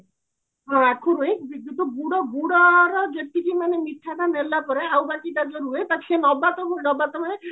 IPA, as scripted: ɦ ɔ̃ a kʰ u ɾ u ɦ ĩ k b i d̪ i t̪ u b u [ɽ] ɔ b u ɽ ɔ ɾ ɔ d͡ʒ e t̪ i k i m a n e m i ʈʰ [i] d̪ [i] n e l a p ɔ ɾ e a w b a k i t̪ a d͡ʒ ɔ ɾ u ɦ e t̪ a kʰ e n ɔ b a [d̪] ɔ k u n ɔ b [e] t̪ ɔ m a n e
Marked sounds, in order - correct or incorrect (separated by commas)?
correct, incorrect, incorrect, incorrect, incorrect